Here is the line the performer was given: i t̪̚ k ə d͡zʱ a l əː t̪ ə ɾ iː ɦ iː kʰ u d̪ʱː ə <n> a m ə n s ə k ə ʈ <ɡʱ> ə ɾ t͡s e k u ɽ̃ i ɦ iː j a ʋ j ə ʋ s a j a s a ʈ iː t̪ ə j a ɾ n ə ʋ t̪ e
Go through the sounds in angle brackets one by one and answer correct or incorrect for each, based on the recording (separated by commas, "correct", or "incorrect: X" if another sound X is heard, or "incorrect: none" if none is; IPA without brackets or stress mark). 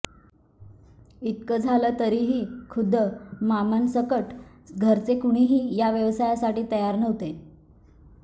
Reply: incorrect: m, correct